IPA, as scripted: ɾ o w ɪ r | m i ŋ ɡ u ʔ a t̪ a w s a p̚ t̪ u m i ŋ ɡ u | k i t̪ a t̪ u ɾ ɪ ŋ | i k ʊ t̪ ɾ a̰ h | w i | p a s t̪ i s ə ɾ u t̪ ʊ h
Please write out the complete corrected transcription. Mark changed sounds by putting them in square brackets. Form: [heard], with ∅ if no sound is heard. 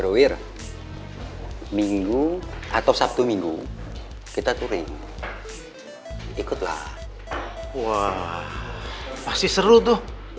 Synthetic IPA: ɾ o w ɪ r | m i ŋ ɡ u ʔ a t̪ a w s a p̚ t̪ u m i ŋ ɡ u | k i t̪ a t̪ u ɾ ɪ ŋ | i k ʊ t̪ [l] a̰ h | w [a] | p a s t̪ i s ə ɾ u t̪ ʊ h